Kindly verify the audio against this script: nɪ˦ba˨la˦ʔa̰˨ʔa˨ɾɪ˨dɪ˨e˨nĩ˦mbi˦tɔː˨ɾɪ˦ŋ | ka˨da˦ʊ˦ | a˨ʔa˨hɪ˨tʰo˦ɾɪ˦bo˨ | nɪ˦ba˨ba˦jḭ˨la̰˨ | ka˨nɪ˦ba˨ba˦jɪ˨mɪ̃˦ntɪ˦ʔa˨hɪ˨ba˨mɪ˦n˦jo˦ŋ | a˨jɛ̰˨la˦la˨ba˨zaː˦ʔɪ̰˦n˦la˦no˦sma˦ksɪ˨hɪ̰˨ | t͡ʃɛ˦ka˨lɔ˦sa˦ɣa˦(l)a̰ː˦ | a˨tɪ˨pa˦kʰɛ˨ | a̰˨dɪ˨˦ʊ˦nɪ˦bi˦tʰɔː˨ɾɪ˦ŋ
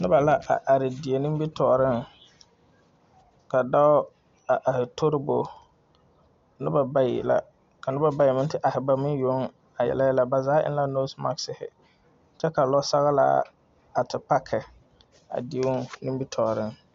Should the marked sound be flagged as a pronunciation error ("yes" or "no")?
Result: no